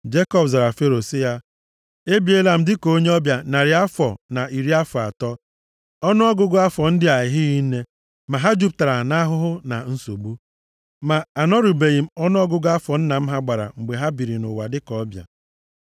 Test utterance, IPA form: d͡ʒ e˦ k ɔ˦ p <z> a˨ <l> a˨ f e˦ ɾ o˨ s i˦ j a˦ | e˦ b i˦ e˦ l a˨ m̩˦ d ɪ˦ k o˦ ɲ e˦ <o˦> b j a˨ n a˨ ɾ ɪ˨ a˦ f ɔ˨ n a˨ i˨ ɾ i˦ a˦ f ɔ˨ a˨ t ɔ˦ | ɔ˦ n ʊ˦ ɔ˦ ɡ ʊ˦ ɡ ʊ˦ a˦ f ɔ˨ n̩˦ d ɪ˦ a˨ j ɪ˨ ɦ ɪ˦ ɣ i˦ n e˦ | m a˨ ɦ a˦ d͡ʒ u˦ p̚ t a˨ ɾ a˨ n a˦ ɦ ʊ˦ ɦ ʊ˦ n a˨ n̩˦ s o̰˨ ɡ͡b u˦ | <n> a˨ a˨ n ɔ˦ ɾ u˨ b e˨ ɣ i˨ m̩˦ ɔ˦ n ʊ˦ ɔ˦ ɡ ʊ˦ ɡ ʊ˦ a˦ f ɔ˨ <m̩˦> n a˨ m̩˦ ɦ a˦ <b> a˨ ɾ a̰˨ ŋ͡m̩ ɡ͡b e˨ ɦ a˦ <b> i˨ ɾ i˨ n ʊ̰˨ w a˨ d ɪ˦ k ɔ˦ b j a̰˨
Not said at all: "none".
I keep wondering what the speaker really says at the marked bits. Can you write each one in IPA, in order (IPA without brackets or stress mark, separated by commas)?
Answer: z, ɾ, ɔ˦, m, n̩˦, ɡ͡b, b